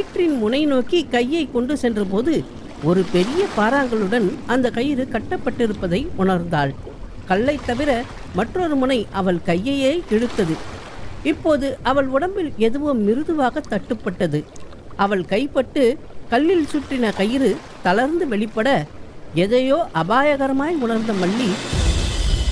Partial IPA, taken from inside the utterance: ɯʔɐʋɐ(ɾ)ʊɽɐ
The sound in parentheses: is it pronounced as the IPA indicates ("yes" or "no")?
no